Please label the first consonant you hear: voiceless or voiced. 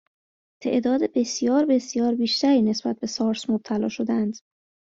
voiceless